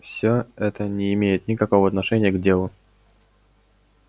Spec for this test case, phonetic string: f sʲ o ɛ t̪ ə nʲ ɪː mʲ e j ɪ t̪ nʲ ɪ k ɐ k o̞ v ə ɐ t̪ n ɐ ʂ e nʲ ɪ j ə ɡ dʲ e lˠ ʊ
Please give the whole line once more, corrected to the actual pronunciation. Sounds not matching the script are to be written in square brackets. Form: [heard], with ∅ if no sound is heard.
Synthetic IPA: f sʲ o ɛ t̪ ə nʲ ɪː mʲ e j ɪ t̪ nʲ ɪ k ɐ k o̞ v ə ɐ t̪ n ɐ ʂ [ɛ] nʲ ɪ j ə ɡ dʲ e lˠ ʊ